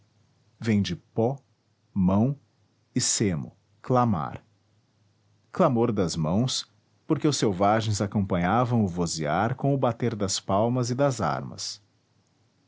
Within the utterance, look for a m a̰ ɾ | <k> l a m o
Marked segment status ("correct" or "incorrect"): correct